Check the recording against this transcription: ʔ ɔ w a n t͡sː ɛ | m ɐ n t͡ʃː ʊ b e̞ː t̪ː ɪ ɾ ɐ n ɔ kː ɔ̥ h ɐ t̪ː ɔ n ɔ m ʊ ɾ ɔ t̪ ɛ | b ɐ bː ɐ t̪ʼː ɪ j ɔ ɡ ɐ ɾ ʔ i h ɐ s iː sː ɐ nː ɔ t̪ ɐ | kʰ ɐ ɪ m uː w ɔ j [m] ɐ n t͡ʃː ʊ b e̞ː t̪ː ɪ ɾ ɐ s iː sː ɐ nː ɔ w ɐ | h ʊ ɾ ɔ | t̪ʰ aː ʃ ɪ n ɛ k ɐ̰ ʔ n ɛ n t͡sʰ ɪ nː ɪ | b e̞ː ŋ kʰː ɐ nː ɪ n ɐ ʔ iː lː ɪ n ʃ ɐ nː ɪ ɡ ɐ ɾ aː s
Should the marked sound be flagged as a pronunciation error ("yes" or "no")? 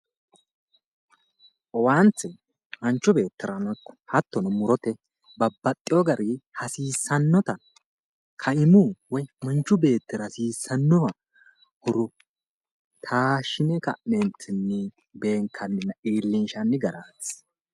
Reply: no